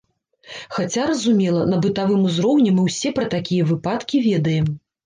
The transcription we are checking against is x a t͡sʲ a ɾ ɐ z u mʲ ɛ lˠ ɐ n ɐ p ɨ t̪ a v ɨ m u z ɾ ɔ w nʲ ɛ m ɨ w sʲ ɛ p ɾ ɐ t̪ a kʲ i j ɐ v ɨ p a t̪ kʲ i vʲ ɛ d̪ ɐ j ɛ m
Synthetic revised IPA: x a t͡sʲ a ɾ ɐ z u mʲ ɛ lˠ ɐ n ɐ b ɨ t̪ a v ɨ m u z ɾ ɔ w nʲ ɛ m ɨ w sʲ ɛ p ɾ ɐ t̪ a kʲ i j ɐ v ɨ p a t̪ kʲ i vʲ ɛ d̪ ɐ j ɛ m